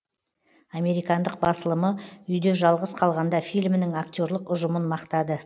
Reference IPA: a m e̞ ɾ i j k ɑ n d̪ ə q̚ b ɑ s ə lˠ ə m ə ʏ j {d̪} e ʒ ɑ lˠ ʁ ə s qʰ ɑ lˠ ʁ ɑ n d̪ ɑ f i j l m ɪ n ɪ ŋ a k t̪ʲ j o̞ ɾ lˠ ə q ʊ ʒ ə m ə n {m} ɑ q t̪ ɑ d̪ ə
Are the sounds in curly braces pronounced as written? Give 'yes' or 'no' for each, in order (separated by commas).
yes, yes